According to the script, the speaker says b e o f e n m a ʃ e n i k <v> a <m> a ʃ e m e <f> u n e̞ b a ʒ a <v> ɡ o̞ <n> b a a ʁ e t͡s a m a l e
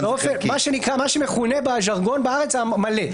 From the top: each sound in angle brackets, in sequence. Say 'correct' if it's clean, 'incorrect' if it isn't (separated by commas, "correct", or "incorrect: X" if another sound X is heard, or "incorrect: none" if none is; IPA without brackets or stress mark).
incorrect: ʁ, correct, incorrect: χ, incorrect: ʁ, correct